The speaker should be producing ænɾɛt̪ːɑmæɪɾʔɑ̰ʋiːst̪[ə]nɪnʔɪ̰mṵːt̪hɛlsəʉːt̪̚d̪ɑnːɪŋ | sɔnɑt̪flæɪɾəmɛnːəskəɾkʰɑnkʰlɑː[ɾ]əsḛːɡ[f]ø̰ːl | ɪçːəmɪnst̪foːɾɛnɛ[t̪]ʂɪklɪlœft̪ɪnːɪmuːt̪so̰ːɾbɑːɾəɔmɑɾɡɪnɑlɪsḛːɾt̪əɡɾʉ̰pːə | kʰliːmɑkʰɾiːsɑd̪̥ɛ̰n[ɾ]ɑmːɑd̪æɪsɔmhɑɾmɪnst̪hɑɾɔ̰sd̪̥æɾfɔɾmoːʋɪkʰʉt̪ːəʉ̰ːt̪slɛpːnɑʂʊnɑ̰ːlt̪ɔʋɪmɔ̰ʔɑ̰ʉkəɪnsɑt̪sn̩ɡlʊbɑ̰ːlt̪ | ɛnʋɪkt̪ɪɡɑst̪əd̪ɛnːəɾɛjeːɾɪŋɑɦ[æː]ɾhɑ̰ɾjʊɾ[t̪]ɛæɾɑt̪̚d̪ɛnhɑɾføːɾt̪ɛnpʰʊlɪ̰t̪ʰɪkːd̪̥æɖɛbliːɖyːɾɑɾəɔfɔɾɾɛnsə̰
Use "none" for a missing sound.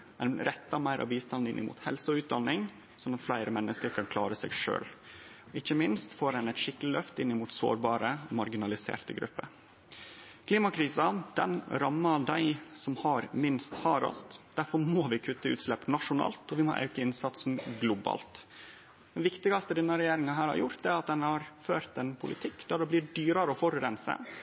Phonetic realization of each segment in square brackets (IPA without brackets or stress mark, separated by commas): ɑ, ɾ, ʂ, t̪, ɾ, æː, t̪